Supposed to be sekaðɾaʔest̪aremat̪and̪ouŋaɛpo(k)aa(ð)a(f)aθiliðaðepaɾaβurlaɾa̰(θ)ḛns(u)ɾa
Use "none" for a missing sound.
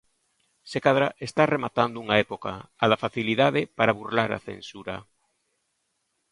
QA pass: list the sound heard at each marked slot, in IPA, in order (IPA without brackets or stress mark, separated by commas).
k, ð, f, θ, u